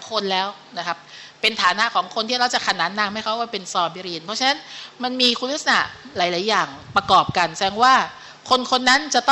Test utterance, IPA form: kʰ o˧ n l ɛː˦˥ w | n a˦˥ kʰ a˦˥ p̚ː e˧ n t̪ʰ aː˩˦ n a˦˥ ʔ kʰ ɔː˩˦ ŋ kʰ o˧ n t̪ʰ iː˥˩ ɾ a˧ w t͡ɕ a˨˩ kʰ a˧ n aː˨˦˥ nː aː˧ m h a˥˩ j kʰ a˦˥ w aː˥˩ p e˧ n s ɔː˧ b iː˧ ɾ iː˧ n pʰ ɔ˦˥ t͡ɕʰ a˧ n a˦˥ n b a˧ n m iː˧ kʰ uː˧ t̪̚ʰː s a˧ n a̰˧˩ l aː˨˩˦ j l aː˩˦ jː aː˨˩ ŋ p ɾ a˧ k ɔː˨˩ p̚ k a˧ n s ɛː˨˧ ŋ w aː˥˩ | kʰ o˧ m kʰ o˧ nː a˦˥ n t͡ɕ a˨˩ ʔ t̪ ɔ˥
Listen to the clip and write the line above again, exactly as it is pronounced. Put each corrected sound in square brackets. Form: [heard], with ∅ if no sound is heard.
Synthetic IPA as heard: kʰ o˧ n l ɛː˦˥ w | n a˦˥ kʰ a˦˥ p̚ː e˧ n t̪ʰ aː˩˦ n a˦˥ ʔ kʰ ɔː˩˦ ŋ kʰ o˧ n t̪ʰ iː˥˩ ɾ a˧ w t͡ɕ a˨˩ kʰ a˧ n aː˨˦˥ nː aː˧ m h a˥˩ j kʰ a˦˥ w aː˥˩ p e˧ n s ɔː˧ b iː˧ ɾ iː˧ n pʰ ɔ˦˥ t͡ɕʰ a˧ n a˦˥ n [m] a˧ n m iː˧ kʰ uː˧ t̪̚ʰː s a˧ n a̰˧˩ l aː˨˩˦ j l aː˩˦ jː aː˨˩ ŋ p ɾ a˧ k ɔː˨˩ p̚ k a˧ n s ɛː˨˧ ŋ w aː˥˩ | kʰ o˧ [n] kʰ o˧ nː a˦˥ n t͡ɕ a˨˩ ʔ t̪ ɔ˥